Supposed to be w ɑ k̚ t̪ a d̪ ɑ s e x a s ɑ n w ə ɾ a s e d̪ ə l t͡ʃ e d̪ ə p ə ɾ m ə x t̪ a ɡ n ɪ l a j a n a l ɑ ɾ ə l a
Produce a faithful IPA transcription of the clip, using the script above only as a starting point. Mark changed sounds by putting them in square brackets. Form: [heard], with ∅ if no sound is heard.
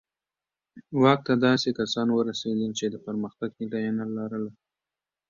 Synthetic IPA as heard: w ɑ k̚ t̪ a d̪ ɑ s e [k] a s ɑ n w ə ɾ a s e d̪ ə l t͡ʃ e d̪ ə p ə ɾ m ə x t̪ a ɡ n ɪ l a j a n a l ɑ ɾ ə l a

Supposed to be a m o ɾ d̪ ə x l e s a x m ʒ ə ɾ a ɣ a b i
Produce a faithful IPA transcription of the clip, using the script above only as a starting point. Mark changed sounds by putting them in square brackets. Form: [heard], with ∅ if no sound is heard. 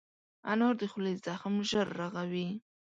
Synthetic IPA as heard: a [n] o ɾ d̪ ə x l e [z] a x m ʒ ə [ɾː] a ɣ a [w] i

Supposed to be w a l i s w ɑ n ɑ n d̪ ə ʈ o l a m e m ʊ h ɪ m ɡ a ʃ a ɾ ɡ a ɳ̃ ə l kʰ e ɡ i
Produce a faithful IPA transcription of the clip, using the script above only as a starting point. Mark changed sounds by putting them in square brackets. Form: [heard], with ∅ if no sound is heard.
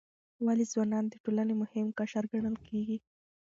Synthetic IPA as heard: w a l i [z] w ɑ n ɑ n d̪ ə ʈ o l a [n] e m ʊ h ɪ m [k] a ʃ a ɾ ɡ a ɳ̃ ə l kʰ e ɡ i

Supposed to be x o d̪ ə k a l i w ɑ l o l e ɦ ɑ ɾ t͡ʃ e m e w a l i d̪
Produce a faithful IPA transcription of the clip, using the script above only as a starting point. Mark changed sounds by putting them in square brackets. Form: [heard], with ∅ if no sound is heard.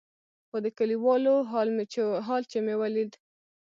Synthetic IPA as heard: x o d̪ ə k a l i w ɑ l o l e ɦ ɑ [l] t͡ʃ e m e w a l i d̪

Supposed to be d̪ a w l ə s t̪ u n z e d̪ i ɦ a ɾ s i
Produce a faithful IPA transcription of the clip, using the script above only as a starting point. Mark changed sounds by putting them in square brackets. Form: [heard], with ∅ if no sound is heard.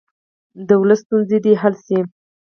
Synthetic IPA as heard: d̪ [ə] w l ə s t̪ u n z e d̪ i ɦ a [l] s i

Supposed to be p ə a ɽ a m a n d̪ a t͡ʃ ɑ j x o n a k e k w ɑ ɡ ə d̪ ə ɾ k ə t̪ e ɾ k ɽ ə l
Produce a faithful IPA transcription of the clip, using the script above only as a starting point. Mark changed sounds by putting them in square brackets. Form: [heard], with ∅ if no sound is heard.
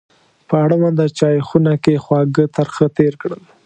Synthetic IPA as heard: p ə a ɽ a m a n d̪ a t͡ʃ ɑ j x [u] n a k e [x] w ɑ ɡ ə [t̪] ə ɾ [x] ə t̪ e ɾ k ɽ ə l

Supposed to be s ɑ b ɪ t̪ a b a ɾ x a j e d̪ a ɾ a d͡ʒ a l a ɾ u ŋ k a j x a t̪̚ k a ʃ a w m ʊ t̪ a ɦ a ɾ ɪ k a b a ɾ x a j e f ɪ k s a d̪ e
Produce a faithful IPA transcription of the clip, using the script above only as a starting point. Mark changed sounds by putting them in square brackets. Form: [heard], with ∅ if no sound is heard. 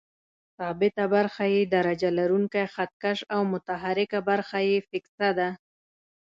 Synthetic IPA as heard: s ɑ b ɪ t̪ a b a ɾ x a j e d̪ a ɾ a d͡ʒ a l a ɾ u ŋ k a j x a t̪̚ k a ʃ a w m ʊ t̪ a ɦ a ɾ ɪ k a b a ɾ x a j e f ɪ k s a d̪ [a]

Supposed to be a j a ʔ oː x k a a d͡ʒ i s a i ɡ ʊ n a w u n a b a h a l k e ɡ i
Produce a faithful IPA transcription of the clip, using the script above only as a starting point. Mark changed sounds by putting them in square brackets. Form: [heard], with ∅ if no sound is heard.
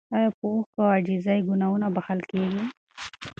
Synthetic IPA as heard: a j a [p] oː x k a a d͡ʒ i [z] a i ɡ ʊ n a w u n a b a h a l k e ɡ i

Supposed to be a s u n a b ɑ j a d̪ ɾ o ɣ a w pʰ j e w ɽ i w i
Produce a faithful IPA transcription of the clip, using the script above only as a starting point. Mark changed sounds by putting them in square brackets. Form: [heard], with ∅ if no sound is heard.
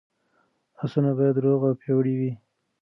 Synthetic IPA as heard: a s u n a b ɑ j a d̪ ɾ o ɣ a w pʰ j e w ɽ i w i

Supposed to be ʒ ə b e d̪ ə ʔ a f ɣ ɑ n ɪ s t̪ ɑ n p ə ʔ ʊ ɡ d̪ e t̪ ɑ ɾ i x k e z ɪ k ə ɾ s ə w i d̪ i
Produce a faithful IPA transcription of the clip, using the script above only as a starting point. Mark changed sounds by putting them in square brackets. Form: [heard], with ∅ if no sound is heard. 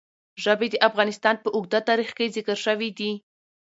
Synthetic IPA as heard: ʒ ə b e d̪ ə ʔ a f ɣ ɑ n ɪ s t̪ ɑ n p ə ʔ ʊ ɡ d̪ [a] t̪ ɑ ɾ i x k e z ɪ k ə ɾ [ʃ] ə w i d̪ i

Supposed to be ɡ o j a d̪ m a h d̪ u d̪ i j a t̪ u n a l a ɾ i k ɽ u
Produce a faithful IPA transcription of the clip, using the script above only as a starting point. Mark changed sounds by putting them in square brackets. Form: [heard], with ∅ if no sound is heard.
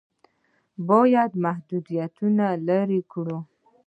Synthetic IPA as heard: [b] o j a d̪ m a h d̪ u d̪ i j a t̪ u n a l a ɾ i k ɽ u

